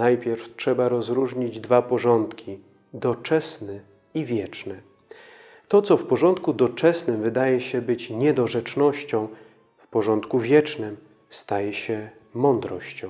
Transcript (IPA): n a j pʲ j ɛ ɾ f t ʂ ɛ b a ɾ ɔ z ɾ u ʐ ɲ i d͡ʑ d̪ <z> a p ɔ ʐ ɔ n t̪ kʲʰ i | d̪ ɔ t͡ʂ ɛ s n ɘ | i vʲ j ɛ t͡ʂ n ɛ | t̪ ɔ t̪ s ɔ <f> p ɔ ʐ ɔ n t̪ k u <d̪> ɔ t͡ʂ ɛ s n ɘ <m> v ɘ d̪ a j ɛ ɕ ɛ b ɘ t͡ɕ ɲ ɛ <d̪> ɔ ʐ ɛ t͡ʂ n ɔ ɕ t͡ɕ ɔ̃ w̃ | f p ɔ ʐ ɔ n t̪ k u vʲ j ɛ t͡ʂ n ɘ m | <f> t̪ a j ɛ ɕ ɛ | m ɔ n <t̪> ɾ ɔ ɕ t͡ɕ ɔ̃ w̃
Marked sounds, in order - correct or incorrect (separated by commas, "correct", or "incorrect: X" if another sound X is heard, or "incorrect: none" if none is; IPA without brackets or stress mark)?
incorrect: v, correct, correct, correct, correct, incorrect: s, incorrect: d̪